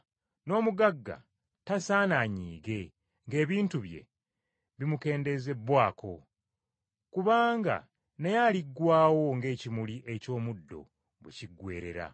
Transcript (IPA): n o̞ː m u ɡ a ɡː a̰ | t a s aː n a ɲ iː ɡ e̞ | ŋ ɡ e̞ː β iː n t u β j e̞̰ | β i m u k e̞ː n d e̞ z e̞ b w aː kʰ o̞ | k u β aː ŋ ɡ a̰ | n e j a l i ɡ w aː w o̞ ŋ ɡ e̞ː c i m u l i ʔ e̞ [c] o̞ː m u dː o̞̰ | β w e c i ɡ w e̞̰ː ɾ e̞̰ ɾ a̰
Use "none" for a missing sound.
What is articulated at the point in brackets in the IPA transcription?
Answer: c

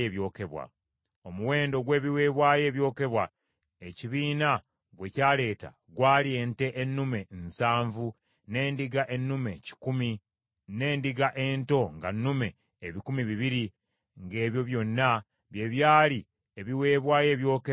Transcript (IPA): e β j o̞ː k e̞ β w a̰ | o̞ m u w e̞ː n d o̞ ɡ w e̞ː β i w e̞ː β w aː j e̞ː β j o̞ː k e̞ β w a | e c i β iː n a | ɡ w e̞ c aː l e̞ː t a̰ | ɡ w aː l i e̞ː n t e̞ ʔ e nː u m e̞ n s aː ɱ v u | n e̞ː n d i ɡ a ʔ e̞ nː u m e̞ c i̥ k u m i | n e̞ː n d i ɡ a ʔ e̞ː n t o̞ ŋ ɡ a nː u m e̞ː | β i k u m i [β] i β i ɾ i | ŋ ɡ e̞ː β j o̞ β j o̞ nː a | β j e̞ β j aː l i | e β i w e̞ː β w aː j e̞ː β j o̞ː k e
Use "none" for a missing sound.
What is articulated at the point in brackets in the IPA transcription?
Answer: β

